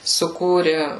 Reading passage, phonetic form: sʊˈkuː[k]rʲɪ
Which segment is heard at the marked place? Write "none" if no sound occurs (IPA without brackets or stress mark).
none